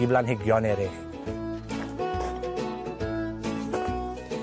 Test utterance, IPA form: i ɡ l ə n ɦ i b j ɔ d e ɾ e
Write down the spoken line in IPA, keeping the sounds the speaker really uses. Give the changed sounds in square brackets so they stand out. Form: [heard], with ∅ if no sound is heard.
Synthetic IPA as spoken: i [b] l [a] n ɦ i [ɡ] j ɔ [n] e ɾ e